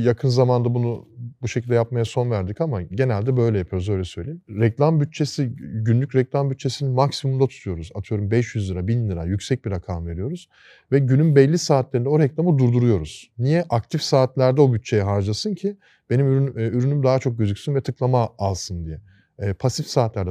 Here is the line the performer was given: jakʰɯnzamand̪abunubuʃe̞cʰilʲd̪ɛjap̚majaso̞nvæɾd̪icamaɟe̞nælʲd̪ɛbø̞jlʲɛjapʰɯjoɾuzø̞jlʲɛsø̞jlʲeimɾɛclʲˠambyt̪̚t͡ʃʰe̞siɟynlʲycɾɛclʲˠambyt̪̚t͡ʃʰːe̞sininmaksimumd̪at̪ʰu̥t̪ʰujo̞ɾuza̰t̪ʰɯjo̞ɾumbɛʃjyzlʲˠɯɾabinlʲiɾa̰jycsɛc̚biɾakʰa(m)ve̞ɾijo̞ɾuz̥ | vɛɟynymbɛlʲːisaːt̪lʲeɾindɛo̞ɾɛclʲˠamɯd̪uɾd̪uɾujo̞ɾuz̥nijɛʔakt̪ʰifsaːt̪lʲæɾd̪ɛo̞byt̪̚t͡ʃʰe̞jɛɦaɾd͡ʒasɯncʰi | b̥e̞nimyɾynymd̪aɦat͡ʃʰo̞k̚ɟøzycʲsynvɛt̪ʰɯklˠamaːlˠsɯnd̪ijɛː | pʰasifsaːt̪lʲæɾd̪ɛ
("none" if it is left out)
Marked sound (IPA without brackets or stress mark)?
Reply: m